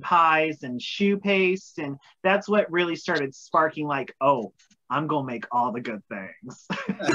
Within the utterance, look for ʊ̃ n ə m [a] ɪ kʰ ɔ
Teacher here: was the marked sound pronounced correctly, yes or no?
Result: no